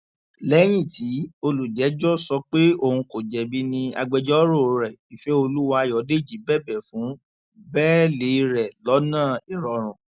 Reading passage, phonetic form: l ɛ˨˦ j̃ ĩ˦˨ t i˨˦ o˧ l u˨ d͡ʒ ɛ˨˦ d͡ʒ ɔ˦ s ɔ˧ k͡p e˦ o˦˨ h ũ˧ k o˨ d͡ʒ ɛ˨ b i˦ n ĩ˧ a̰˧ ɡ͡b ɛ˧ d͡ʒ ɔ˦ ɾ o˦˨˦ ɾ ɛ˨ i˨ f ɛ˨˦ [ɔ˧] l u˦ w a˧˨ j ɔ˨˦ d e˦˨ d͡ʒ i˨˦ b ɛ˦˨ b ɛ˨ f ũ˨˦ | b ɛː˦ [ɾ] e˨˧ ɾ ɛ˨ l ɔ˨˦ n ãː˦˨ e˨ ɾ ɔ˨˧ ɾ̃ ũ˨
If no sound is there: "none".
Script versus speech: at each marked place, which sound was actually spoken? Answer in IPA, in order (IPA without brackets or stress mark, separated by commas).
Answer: o˧, l